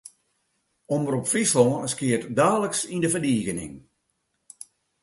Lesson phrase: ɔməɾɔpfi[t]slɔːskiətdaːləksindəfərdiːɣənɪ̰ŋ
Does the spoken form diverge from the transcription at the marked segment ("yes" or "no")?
yes